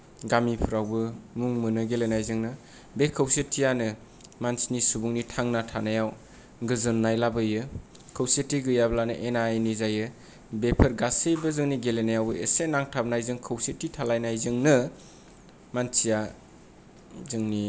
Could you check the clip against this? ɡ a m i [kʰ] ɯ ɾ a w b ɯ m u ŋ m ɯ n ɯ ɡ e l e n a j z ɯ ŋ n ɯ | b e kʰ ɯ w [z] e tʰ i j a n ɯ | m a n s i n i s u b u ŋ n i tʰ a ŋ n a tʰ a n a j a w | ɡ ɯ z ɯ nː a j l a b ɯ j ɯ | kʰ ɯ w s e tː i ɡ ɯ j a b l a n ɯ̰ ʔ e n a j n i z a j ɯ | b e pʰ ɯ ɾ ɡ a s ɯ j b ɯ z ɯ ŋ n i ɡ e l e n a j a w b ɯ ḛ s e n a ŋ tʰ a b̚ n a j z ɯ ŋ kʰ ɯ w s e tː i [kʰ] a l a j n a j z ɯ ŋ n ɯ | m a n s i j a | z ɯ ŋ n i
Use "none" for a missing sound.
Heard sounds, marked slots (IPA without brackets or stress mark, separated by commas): pʰ, s, tʰ